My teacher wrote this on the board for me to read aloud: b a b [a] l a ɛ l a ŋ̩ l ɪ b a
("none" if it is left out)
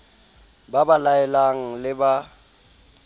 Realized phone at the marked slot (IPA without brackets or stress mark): a